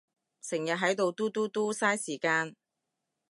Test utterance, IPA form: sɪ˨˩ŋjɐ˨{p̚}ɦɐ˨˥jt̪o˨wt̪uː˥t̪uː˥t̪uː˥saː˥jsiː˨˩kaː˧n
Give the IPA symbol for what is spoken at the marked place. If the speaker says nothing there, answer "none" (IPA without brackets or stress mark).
t̚